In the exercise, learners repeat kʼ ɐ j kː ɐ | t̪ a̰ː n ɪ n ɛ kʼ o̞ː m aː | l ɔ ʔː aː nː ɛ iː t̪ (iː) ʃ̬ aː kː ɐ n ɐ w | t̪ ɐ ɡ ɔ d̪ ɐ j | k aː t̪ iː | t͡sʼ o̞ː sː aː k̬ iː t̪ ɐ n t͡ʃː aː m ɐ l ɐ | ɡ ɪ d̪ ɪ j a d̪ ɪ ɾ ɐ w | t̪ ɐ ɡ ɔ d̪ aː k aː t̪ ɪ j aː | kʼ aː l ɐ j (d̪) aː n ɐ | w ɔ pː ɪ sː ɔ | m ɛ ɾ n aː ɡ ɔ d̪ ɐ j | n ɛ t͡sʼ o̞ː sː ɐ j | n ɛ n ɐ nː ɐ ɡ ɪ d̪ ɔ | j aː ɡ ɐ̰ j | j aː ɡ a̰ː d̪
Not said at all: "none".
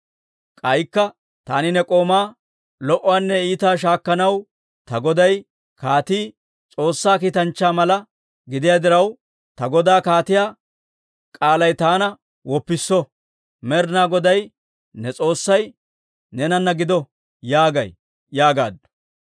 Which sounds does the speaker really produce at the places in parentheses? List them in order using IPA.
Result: aː, t̪

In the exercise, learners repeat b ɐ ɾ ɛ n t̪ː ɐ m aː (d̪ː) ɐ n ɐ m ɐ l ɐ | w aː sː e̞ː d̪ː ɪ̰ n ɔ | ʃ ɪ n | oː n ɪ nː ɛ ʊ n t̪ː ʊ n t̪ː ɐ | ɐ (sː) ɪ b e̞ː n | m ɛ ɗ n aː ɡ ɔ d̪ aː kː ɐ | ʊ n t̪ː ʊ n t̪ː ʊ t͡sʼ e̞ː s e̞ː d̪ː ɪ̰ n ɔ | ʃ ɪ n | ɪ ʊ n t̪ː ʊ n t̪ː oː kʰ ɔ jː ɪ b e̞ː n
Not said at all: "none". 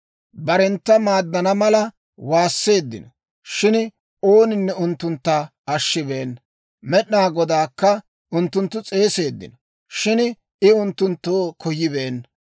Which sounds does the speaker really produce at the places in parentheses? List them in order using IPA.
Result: d̪ː, ʃː

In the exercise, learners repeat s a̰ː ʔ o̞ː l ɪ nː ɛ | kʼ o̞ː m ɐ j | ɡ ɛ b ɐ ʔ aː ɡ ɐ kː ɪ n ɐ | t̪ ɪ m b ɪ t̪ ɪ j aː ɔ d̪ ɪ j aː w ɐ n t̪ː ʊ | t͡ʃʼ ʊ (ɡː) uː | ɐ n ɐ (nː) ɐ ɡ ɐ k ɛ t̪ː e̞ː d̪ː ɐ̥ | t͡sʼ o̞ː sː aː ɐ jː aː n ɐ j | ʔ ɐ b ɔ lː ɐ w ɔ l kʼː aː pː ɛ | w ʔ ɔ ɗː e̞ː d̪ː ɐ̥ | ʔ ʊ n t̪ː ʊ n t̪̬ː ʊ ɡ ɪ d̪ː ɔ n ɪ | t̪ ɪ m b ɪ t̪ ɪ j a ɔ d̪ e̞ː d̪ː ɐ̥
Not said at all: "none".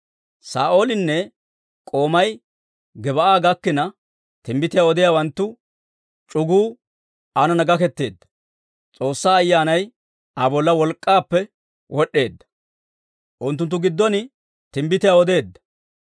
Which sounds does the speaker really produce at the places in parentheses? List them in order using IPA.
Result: ɡ, n

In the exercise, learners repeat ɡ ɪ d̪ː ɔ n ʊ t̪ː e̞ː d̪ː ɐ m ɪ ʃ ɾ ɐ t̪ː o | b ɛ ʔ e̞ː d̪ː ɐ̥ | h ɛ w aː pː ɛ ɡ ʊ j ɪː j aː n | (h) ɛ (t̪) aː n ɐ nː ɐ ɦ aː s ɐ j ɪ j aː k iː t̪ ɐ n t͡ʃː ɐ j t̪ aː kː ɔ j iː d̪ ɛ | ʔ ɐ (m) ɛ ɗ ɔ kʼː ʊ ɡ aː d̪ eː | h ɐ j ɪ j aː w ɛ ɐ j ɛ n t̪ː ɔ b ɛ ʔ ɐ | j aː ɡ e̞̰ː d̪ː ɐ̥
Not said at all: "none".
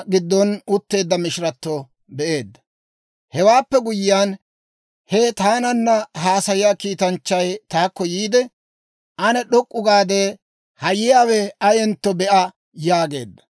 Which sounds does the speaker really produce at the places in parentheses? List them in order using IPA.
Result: h, t̪, n

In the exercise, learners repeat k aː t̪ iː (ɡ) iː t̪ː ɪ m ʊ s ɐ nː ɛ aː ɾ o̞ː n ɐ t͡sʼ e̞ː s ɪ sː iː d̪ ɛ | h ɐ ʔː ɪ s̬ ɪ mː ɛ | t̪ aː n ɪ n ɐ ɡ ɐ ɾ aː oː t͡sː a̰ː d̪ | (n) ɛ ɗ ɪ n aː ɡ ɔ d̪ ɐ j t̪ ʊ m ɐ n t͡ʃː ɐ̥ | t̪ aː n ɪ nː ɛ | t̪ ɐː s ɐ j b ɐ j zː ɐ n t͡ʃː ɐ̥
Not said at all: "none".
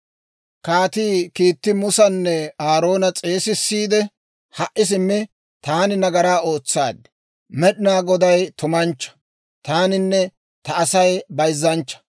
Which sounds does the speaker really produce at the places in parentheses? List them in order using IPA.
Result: k, m

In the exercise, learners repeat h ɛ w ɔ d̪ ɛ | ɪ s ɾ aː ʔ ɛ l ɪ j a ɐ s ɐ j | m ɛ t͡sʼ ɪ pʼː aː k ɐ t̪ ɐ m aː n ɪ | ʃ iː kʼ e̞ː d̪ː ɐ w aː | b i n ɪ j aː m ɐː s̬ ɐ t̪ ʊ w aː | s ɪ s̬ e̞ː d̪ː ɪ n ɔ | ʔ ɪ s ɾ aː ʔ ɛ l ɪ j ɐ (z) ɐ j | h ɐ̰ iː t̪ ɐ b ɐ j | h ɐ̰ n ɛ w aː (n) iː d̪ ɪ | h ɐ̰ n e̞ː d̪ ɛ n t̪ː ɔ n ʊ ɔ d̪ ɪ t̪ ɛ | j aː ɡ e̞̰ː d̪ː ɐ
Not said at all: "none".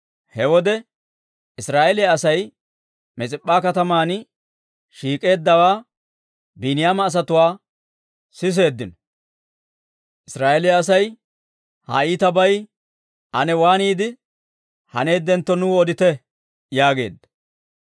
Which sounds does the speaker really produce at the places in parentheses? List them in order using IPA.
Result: s, n

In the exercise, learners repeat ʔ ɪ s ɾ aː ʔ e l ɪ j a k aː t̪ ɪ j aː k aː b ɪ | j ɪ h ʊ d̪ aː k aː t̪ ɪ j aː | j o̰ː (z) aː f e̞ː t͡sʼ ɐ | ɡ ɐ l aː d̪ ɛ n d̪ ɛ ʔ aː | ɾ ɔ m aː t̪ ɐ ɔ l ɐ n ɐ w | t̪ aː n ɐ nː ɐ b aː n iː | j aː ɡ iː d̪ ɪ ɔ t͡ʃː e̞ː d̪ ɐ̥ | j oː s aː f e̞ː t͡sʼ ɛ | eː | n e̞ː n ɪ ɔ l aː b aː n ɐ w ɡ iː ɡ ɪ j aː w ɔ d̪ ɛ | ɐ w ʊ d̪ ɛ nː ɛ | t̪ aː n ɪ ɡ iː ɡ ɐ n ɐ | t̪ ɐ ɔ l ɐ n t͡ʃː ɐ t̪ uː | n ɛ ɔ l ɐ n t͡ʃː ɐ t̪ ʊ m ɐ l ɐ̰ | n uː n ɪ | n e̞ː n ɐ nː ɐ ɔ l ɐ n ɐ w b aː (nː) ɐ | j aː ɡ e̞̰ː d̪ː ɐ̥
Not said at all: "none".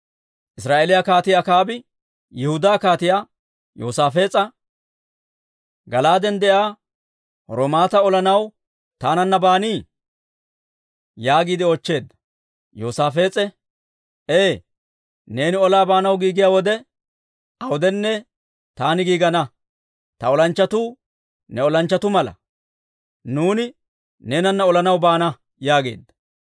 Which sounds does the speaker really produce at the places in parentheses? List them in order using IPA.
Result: s, n

